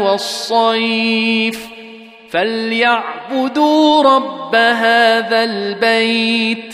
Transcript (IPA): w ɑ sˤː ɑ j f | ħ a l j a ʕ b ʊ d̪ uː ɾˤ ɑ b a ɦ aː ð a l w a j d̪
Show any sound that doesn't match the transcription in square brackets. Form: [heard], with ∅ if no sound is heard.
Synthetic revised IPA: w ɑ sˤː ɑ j f | [f] a l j a ʕ b ʊ d̪ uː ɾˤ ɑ [bː] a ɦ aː ð a l [b] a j [t̪]